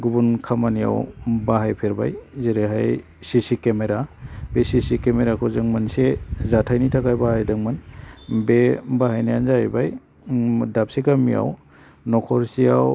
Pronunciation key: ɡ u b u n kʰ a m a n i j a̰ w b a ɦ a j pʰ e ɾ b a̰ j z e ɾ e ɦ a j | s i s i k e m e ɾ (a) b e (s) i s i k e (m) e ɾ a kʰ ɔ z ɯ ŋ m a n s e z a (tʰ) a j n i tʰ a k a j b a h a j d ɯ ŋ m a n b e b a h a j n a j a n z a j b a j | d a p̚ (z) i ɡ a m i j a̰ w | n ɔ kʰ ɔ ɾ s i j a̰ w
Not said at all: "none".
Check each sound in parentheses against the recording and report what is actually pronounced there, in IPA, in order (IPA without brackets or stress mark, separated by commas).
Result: a, s, m, tʰ, s